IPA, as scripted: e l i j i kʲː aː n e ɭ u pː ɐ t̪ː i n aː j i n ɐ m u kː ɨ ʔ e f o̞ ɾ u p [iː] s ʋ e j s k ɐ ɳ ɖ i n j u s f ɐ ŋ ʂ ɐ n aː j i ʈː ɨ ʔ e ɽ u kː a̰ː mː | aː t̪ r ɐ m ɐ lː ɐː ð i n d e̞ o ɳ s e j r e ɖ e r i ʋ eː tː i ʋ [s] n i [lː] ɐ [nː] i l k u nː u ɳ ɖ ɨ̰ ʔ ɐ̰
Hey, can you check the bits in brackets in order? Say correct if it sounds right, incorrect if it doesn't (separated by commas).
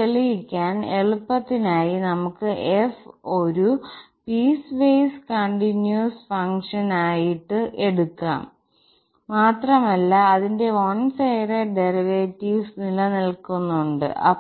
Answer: correct, correct, incorrect, incorrect